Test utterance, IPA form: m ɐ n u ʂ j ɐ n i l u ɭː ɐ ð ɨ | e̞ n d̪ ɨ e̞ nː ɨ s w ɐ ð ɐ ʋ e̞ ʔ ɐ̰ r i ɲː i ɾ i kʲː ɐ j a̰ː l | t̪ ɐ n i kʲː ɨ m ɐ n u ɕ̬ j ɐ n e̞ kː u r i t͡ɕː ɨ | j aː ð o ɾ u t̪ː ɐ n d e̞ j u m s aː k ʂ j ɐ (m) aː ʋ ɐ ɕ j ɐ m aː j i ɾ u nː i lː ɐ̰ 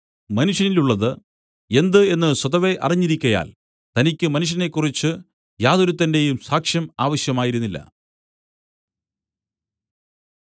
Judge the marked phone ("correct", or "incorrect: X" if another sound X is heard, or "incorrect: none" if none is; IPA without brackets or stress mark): correct